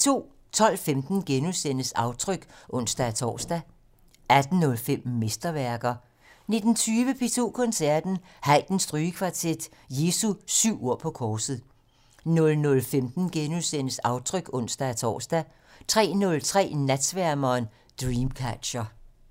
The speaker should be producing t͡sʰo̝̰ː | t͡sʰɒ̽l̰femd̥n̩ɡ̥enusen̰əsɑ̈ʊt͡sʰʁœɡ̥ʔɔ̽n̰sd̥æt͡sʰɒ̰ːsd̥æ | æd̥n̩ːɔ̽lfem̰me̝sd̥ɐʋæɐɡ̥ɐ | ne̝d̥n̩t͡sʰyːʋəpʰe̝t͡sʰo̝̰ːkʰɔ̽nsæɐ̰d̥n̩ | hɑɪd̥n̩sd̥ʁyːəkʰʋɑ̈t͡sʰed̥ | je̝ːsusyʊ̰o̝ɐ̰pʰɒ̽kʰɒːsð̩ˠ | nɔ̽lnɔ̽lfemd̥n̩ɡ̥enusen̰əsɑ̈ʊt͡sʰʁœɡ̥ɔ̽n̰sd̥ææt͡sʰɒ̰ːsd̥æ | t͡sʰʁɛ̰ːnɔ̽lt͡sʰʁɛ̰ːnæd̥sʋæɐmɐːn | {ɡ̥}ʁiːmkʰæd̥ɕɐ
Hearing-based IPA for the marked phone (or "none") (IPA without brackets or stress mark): d̥